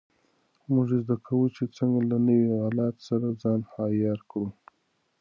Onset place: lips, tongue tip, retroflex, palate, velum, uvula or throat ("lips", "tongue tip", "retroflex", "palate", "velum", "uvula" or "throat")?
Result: lips